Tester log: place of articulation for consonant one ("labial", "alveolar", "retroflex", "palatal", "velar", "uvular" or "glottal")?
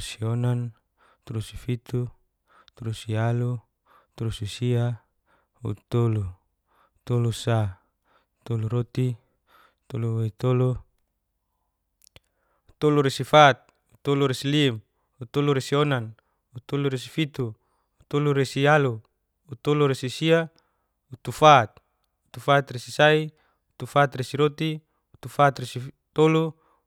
alveolar